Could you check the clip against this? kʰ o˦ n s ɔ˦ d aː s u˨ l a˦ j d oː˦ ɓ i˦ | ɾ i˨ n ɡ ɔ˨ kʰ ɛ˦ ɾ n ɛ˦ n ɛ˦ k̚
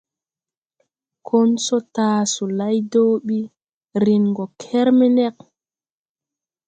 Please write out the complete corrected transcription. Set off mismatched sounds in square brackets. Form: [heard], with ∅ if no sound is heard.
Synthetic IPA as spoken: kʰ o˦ n s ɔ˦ [t] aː s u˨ l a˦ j d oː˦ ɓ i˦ | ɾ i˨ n ɡ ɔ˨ kʰ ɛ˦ ɾ [m] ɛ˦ n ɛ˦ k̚